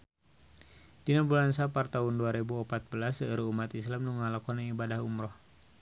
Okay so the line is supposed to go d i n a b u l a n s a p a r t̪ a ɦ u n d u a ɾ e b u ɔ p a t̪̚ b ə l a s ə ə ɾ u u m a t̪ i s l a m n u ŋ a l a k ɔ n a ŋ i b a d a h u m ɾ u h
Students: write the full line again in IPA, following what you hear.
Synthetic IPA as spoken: d i n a b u l a n s a p a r t̪ a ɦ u n d u a ɾ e b u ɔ p a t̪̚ b ə l a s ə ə ɾ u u m a t̪ i s l a m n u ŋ a l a k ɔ n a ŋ i b a d a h u m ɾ ɔ h